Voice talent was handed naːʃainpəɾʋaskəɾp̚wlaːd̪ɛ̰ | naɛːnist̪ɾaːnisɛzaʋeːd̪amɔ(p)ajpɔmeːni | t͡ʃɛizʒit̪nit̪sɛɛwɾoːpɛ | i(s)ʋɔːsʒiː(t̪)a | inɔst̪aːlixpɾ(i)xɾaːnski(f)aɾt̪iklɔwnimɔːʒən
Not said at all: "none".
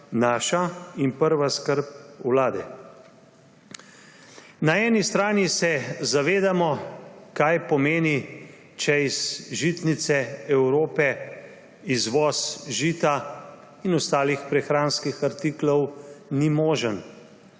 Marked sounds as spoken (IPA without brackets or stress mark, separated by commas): k, z, t̪, ɛ, x